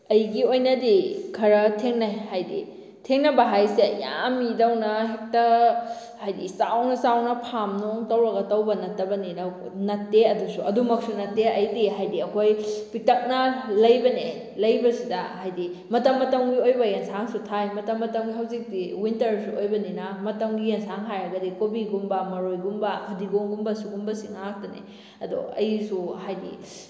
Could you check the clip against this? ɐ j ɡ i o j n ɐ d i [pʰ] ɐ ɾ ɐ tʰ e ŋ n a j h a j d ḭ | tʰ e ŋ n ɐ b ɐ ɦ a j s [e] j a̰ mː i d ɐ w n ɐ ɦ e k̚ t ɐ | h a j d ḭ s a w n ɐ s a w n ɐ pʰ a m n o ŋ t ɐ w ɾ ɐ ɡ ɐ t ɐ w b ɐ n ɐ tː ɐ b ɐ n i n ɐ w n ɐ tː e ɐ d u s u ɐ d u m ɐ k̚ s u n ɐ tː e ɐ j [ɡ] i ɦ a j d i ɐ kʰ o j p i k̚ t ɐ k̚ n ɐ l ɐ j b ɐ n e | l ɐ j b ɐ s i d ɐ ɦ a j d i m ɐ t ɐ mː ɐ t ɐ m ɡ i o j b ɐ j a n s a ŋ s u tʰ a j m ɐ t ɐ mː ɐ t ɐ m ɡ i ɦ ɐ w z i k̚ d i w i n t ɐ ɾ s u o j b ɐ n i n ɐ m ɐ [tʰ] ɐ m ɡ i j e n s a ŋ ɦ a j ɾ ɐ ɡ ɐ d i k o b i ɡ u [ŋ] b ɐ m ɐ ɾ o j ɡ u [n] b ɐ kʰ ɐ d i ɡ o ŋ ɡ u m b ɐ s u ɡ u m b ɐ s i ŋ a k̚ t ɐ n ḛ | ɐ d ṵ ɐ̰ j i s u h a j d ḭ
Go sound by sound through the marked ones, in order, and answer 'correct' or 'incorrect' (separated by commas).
incorrect, correct, incorrect, incorrect, incorrect, incorrect